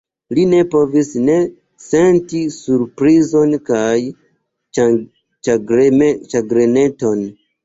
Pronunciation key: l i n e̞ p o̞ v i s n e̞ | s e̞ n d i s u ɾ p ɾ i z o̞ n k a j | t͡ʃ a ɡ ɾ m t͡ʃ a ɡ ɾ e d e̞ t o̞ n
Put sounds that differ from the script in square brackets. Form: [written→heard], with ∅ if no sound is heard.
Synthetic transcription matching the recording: l i n e̞ p o̞ v i s n e̞ | s e̞ n [d→t] i s u ɾ p ɾ i z o̞ n k a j | t͡ʃ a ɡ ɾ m t͡ʃ a ɡ ɾ e [d→n] e̞ t o̞ n